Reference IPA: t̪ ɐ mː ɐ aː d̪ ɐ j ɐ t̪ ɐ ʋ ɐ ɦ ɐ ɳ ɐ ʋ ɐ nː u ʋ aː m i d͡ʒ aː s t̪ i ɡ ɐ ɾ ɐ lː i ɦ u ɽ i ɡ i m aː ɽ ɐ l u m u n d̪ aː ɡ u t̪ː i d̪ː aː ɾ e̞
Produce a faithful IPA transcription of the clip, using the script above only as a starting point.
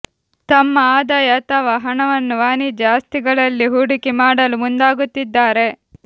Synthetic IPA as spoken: t̪ ɐ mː ɐ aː d̪ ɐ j ɐ t̪ ɐ ʋ ɐ ɦ ɐ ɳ ɐ ʋ ɐ nː u ʋ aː n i d͡ʒ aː s t̪ i ɡ ɐ ɭ ɐ lː i ɦ u ɽ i k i m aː ɽ ɐ l u m u n d̪ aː ɡ u t̪ː i d̪ː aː ɾ e̞

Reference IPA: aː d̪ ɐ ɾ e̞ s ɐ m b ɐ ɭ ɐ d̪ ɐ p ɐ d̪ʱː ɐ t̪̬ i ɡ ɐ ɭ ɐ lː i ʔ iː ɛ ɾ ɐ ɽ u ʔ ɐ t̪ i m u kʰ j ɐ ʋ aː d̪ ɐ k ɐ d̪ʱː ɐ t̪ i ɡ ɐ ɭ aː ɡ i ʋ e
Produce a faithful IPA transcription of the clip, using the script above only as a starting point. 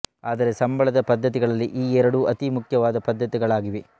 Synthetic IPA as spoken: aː d̪ ɐ ɾ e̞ s ɐ m b ɐ ɭ ɐ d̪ ɐ p ɐ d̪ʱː ɐ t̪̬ i ɡ ɐ ɭ ɐ lː i ʔ iː ɛ ɾ ɐ ɽ u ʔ ɐ t̪ i m u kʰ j ɐ ʋ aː d̪ ɐ p ɐ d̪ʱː ɐ t̪ i ɡ ɐ ɭ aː ɡ i ʋ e

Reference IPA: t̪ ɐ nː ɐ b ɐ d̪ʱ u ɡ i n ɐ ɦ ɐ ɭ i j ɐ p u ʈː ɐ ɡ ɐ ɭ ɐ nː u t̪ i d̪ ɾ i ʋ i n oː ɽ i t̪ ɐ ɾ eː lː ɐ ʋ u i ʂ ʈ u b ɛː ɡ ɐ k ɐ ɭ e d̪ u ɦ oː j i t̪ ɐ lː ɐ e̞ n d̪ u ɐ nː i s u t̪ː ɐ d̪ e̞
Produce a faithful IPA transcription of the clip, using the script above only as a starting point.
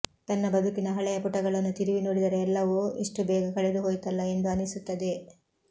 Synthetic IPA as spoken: t̪ ɐ nː ɐ b ɐ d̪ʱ u k i n ɐ ɦ ɐ ɭ ɛ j ɐ p u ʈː ɐ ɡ ɐ ɭ ɐ nː u t̪ i ɾ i ʋ i n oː ɽ i d̪ ɐ ɾ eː lː ɐ ʋ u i ʂ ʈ u b ɛː ɡ ɐ k ɐ ɭ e d̪ u ɦ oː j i t̪ ɐ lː ɐ e̞ n d̪ u ɐ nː i s u t̪ː ɐ d̪ e̞

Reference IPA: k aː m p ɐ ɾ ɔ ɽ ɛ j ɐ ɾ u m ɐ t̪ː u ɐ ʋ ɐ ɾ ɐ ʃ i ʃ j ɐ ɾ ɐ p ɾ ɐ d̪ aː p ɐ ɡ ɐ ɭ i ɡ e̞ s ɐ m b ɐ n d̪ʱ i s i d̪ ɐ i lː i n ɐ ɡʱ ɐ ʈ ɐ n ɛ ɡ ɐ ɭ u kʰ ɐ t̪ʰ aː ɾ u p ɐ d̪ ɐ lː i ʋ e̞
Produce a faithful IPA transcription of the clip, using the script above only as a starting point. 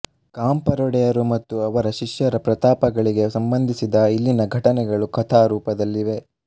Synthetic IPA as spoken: k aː m p ɐ ɾ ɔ ɽ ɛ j ɐ ɾ u m ɐ t̪ː u ɐ ʋ ɐ ɾ ɐ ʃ i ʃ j ɐ ɾ ɐ p ɾ ɐ t̪ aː p ɐ ɡ ɐ ɭ i ɡ e̞ s ɐ m b ɐ n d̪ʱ i s i d̪ ɐ i lː i n ɐ ɡʱ ɐ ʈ ɐ n ɛ ɡ ɐ ɭ u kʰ ɐ t̪ʰ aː ɾ uː p ɐ d̪ ɐ lː i ʋ e̞

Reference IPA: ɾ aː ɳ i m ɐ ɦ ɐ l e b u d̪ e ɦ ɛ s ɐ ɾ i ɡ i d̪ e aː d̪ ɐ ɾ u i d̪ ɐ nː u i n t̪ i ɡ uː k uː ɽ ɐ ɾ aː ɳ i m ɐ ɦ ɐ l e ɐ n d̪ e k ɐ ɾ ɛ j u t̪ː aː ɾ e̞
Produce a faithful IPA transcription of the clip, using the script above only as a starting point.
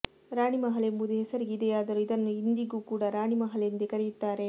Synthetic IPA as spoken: ɾ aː ɳ i m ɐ ɦ ɐ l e m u d̪ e ɦ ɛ s ɐ ɾ i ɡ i d̪ e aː d̪ ɐ ɾ u i d̪ ɐ nː u i n d̪ i ɡ uː k uː ɽ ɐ ɾ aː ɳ i m ɐ ɦ ɐ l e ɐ n d̪ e k ɐ ɾ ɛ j u t̪ː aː ɾ e̞

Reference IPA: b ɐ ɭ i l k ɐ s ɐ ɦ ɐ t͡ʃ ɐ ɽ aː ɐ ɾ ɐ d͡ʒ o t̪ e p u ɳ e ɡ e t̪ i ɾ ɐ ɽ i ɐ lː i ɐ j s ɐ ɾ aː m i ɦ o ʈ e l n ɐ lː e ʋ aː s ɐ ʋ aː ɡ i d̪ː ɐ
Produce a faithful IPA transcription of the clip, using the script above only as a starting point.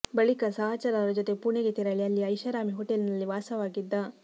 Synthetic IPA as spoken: b ɐ ɭ i k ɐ s ɐ ɦ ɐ t͡ʃ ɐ ɾ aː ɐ ɾ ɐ d͡ʒ o t̪ e p u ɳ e ɡ e t̪ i ɾ ɐ ɭ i ɐ lː i ɐ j ʃ ɐ ɾ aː m i ɦ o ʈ e l n ɐ lː i ʋ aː s ɐ ʋ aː ɡ i d̪ː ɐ

